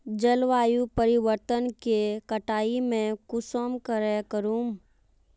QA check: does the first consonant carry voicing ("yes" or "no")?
yes